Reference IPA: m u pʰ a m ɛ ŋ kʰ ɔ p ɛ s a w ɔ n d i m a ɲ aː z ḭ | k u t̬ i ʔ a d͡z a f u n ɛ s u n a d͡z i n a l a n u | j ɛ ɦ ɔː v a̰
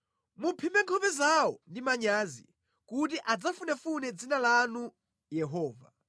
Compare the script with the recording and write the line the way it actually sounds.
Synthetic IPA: m u pʰ i m ɛ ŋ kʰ ɔ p ɛ z a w ɔ n d i m a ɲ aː z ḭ | k u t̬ i ʔ a d͡z a f u n ɛ f u n ɛ d͡z i n a l a n u | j ɛ ɦ ɔː v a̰